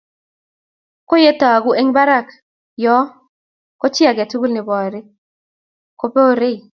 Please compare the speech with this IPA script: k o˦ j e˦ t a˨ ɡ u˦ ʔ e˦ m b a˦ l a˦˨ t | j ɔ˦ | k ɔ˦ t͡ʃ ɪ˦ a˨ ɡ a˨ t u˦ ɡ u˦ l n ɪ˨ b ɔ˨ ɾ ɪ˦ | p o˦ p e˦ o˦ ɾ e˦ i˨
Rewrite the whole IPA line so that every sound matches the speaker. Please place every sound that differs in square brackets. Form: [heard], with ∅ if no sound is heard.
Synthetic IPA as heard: k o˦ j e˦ t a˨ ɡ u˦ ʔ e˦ [ŋ] b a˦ [ɾ] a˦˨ [k] | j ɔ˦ | k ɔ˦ t͡ʃ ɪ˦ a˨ ɡ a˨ t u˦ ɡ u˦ l n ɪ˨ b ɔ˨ ɾ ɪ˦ | [k] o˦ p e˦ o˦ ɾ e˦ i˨

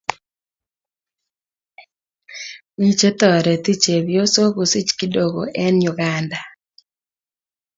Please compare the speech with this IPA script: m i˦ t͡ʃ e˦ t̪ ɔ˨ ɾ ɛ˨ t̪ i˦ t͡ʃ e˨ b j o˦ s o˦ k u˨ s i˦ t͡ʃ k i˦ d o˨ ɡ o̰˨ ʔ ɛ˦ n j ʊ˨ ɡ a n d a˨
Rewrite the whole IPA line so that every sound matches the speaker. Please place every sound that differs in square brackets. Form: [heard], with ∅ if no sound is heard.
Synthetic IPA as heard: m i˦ t͡ʃ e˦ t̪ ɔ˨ ɾ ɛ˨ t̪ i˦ t͡ʃ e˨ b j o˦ s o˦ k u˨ s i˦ t͡ʃ k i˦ d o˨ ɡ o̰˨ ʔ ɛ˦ n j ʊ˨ ɡ a n d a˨

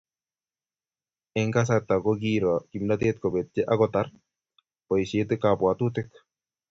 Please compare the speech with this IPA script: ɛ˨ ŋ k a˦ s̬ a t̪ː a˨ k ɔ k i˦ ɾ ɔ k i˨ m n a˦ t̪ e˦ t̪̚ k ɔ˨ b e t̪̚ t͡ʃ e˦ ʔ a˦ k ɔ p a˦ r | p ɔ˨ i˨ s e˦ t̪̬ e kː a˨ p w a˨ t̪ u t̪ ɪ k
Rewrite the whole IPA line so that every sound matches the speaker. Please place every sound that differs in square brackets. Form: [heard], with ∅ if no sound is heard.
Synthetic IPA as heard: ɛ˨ ŋ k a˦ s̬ a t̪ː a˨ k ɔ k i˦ ɾ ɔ k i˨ m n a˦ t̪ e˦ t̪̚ k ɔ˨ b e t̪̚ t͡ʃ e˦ ʔ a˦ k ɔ [t] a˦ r | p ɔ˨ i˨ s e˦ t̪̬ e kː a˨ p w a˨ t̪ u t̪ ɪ k

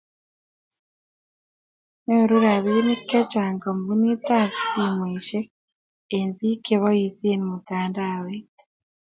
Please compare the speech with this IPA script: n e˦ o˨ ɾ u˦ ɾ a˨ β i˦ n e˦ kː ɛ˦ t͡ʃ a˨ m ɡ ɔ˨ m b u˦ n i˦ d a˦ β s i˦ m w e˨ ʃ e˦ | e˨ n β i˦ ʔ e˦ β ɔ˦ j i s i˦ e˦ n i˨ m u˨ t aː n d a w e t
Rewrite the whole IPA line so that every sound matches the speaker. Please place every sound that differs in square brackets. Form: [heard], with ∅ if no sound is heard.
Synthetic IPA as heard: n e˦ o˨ ɾ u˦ ɾ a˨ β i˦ n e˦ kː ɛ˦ t͡ʃ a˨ [ŋ] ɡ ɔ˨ m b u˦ n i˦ [t] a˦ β s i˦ m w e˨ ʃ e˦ | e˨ n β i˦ [k] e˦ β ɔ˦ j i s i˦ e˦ n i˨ m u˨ t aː n d a w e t

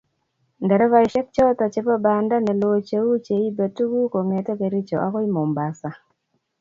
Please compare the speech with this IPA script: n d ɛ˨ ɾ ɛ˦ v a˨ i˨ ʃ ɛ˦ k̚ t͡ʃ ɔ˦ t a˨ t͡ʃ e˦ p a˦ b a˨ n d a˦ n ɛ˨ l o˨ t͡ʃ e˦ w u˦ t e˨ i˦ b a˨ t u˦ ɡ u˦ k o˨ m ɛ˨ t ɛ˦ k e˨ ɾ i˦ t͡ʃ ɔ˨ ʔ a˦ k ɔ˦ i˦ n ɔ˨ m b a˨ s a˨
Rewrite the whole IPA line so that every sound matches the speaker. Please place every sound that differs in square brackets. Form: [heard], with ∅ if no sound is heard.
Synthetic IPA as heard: n d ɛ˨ ɾ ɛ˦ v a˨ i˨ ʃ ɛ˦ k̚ t͡ʃ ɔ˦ t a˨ t͡ʃ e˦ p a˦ b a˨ n d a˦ n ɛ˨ l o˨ t͡ʃ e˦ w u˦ [t͡ʃ] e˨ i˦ b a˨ t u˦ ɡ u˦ k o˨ [ŋ] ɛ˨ t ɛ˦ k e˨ ɾ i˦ t͡ʃ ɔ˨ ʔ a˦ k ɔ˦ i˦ [m] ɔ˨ m b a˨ s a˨

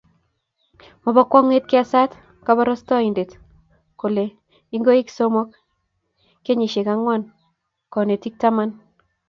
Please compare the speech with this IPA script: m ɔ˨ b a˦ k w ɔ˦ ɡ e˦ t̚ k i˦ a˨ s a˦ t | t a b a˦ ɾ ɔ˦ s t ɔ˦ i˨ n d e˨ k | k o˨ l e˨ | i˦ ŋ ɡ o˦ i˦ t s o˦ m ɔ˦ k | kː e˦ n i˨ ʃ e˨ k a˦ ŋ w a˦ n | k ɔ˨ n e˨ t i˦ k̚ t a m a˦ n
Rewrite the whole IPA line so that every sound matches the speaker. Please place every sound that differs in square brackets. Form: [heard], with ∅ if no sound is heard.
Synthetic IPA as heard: m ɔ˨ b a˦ k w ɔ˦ [ŋ] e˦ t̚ k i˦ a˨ s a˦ t | [k] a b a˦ ɾ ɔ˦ s t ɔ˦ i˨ n d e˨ [t] | k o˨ l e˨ | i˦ ŋ ɡ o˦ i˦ [k] s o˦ m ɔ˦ k | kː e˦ [ɲ] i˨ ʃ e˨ k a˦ ŋ w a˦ n | k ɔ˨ n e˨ t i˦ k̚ t a m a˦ n

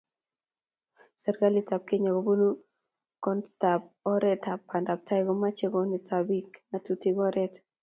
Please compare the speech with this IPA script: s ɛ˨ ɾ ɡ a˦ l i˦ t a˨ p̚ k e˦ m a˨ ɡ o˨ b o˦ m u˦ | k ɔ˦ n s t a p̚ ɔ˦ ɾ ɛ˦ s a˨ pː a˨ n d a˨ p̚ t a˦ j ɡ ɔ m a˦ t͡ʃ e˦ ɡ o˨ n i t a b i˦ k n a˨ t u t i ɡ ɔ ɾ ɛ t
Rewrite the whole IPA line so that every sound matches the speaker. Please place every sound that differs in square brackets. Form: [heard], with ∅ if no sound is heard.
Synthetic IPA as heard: s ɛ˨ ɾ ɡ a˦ l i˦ t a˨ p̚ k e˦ [ɲ] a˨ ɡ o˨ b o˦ [n] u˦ | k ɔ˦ n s t a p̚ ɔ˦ ɾ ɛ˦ [t] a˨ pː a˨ n d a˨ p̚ t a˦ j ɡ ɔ m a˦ t͡ʃ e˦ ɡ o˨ n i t a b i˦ k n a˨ t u t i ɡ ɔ ɾ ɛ t

